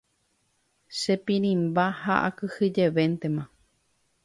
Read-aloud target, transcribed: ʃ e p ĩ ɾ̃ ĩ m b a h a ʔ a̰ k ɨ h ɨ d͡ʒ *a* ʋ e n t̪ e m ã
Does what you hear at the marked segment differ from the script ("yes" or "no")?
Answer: yes